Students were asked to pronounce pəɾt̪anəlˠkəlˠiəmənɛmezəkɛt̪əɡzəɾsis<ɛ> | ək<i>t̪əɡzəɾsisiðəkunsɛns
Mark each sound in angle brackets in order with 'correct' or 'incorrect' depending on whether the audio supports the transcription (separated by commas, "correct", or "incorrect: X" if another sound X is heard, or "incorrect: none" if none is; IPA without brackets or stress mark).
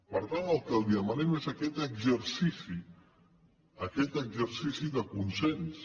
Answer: incorrect: i, incorrect: ɛ